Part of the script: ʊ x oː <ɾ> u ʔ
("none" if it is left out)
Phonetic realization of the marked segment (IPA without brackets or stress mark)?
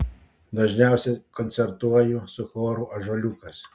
ɾ